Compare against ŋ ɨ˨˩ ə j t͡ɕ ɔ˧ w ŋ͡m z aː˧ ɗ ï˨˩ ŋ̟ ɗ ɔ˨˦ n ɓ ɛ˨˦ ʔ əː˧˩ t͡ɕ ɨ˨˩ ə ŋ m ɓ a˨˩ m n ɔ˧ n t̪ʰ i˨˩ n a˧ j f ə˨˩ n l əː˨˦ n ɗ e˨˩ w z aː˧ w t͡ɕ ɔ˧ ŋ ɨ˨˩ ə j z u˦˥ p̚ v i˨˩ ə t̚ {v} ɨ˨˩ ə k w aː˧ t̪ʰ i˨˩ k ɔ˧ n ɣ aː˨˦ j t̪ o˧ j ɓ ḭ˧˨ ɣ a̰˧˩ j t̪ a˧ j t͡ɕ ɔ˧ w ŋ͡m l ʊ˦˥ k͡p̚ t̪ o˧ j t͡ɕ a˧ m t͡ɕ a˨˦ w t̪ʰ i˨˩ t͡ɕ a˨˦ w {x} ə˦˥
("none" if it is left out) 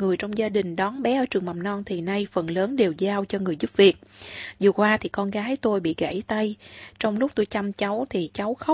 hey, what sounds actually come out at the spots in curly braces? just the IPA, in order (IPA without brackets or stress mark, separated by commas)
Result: z, x